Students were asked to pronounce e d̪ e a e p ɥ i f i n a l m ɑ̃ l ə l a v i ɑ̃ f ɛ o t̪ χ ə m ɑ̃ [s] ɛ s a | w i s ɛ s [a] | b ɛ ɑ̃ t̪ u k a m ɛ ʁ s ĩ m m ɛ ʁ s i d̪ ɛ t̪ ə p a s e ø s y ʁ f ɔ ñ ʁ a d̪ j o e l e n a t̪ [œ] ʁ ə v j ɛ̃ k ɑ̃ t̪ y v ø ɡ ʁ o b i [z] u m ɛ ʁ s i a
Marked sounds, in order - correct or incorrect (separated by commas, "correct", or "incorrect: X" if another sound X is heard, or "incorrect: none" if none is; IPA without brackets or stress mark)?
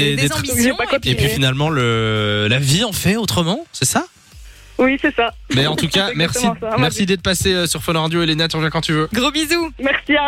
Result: correct, correct, incorrect: y, correct